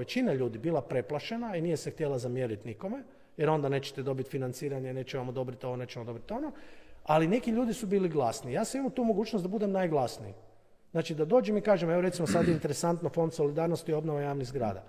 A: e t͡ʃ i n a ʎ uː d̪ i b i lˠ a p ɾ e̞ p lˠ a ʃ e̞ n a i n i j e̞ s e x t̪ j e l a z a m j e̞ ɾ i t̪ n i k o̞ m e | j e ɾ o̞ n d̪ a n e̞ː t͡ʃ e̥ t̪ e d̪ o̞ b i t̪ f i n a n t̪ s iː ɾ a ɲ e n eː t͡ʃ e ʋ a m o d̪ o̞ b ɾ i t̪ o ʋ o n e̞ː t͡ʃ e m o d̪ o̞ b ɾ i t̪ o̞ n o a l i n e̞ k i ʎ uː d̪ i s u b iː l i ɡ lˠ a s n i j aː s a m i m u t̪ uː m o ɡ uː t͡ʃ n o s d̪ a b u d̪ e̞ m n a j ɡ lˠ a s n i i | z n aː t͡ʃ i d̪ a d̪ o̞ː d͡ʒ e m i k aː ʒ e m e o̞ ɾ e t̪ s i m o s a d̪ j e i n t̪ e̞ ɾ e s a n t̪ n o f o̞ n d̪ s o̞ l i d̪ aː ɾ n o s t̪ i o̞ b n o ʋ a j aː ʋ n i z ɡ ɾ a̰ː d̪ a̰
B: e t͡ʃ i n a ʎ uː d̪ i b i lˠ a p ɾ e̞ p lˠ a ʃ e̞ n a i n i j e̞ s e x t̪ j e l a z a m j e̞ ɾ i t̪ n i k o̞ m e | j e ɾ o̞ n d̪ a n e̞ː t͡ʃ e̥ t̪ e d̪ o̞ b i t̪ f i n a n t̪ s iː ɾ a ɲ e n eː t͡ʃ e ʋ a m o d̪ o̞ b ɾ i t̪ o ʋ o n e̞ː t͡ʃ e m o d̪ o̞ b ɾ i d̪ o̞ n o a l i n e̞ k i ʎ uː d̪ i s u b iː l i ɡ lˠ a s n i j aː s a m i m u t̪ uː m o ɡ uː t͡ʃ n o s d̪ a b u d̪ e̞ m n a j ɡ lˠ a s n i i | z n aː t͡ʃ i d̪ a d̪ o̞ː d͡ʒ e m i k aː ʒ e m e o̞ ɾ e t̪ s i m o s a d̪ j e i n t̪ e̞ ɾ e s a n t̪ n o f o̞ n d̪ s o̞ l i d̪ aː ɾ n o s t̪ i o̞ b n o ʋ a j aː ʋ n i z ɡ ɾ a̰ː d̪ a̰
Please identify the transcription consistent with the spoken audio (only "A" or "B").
A